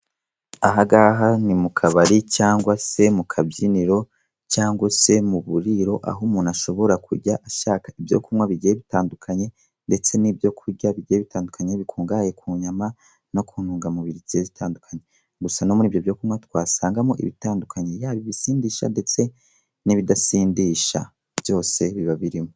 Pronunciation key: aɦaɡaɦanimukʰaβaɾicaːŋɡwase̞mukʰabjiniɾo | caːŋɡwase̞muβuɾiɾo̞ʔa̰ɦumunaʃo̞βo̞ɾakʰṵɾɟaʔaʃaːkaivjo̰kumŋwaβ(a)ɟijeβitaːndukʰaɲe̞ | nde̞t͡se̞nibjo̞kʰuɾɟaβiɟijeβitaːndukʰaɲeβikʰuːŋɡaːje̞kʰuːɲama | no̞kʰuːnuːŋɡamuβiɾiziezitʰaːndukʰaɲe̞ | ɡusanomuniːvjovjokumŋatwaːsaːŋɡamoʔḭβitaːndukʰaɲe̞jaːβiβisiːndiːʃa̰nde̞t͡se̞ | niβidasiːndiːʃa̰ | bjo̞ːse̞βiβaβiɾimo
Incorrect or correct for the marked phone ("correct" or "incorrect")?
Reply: incorrect